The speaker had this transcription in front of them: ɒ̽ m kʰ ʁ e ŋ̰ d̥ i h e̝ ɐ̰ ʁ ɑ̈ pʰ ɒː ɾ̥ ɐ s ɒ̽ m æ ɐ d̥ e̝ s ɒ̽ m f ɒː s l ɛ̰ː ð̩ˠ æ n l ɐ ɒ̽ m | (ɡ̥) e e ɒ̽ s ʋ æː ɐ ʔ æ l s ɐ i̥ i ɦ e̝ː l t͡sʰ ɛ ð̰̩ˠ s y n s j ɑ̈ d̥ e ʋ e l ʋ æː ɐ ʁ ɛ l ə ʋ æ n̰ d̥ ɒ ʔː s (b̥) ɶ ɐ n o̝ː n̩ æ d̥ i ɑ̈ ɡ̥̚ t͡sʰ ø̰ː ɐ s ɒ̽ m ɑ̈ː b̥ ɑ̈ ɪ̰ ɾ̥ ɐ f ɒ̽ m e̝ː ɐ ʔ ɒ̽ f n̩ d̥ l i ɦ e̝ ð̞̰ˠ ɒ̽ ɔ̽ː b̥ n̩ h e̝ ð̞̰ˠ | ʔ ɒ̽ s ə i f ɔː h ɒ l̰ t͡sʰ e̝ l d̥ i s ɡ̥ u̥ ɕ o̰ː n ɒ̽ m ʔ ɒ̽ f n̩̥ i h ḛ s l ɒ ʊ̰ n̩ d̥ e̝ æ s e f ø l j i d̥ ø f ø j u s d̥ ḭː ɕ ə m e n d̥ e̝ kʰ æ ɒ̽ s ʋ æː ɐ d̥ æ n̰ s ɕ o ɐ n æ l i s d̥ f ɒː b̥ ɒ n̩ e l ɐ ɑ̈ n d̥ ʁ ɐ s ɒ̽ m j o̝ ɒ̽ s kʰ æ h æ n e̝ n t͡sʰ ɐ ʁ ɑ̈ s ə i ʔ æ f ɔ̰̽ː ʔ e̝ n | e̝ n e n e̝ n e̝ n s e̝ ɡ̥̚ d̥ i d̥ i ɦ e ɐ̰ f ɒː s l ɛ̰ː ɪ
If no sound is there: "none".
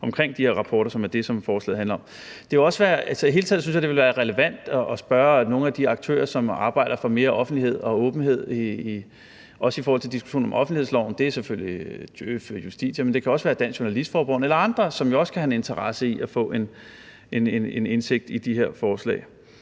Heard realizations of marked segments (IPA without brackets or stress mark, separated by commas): d̥, b̥